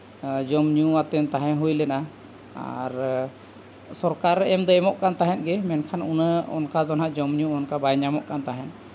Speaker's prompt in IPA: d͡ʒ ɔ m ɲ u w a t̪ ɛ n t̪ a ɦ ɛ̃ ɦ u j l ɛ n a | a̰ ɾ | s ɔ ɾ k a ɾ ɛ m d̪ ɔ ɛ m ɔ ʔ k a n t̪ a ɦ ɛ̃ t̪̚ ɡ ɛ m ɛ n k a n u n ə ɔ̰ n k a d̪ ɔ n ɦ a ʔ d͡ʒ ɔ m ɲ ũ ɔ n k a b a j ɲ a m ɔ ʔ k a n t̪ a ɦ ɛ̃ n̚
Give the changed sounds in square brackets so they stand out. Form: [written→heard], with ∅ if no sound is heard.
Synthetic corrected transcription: d͡ʒ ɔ m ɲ u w a t̪ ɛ n t̪ a ɦ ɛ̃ ɦ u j l ɛ n a | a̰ ɾ | s ɔ ɾ k a ɾ ɛ m d̪ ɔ ɛ m ɔ ʔ k a n t̪ a ɦ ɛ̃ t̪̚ ɡ ɛ m ɛ n [k→kʰ] a n u n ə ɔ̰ n k a d̪ ɔ n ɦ a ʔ d͡ʒ ɔ m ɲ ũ ɔ n k a b a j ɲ a m ɔ ʔ k a n t̪ a ɦ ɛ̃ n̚